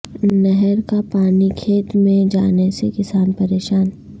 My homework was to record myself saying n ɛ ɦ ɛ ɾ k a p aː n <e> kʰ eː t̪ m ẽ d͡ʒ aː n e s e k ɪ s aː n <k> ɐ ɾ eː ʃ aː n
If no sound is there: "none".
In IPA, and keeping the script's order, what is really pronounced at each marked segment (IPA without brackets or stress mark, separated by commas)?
i, p